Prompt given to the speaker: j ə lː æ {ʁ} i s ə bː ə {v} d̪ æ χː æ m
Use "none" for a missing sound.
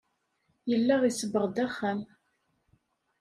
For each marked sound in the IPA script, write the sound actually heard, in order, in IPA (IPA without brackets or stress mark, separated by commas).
ʁ, ʁ